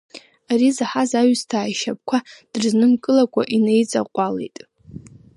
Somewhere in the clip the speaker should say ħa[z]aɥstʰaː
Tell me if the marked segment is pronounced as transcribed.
yes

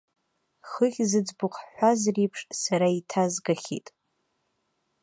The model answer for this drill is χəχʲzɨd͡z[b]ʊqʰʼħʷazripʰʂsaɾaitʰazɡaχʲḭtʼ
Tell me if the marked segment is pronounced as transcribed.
yes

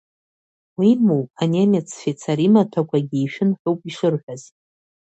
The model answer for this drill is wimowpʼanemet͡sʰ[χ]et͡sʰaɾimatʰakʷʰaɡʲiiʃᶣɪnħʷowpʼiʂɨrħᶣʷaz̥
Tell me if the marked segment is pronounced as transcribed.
no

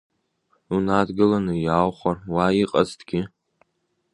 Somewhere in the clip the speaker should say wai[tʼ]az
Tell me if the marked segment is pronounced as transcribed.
no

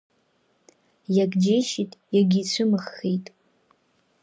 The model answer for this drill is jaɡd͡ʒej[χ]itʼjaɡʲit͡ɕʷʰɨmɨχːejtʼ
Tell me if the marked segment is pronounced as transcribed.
no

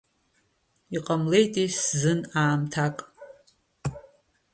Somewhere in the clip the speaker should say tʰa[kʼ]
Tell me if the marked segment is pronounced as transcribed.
yes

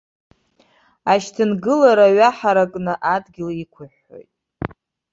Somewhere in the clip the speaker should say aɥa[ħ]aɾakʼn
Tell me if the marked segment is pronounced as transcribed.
yes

